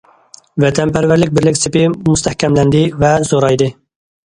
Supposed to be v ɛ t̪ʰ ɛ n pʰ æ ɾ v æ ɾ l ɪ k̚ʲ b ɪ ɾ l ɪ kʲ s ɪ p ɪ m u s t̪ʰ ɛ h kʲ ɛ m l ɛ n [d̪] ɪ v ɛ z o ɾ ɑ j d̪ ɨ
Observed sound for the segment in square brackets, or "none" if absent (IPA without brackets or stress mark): d̪